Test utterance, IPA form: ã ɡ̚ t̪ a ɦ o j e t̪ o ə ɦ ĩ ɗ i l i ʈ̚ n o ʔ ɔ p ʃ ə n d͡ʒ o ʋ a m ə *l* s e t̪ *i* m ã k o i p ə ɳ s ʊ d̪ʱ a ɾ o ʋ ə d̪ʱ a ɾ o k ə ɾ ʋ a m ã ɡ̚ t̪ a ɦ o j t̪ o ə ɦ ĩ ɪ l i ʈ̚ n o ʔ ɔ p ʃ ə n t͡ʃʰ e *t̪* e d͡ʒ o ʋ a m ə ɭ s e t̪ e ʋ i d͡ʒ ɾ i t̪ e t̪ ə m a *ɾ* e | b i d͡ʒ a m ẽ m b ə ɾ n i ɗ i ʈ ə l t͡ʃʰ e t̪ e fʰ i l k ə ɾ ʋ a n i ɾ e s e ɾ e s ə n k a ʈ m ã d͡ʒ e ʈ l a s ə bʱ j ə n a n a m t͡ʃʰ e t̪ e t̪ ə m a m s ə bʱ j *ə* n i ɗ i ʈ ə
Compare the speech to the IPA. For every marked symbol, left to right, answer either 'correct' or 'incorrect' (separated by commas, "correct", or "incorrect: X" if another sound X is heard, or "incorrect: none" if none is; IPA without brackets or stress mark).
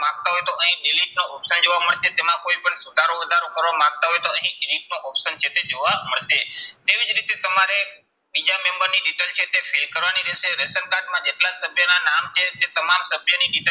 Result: incorrect: ɭ, incorrect: e, correct, correct, correct